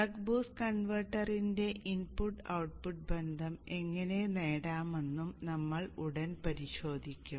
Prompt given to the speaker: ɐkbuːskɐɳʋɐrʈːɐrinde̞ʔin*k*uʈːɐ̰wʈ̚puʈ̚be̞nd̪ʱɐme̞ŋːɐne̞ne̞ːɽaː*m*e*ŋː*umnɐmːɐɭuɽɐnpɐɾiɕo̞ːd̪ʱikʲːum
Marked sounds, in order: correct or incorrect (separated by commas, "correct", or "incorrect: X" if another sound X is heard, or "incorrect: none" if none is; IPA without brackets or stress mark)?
incorrect: p, correct, incorrect: nː